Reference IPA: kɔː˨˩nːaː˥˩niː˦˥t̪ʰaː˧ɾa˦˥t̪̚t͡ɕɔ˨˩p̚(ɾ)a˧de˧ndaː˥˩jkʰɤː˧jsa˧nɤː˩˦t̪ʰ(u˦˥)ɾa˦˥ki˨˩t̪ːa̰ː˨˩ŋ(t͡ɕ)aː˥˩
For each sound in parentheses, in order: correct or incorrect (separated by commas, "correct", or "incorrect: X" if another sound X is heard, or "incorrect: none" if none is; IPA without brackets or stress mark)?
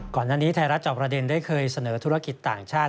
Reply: correct, correct, incorrect: t͡ɕʰ